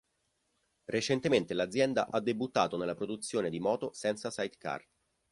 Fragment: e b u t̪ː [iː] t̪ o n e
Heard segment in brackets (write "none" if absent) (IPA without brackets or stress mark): aː